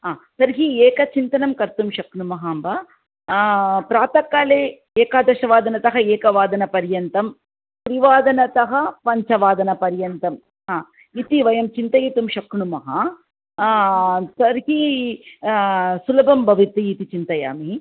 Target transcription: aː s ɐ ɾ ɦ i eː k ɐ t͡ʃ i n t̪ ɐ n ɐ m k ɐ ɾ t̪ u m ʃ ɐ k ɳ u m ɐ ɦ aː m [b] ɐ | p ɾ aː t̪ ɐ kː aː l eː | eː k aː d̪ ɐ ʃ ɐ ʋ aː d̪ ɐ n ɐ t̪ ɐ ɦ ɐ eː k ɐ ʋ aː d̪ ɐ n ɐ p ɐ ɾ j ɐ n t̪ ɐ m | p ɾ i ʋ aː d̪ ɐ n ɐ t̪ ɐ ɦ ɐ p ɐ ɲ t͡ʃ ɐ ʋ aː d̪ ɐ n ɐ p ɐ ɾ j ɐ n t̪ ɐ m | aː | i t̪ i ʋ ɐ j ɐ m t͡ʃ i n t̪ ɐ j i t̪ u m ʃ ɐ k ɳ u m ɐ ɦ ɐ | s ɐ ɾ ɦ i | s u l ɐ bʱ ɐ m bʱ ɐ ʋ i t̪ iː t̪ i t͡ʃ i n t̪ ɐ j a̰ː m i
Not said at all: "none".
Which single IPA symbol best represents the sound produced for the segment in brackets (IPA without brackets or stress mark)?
b